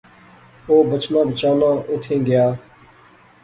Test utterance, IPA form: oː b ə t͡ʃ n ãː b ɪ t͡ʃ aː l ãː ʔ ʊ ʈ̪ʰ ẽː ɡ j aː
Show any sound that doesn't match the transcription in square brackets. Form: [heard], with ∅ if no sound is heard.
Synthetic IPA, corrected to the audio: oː b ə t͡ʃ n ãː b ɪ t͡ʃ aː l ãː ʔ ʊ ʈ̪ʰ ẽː ɡ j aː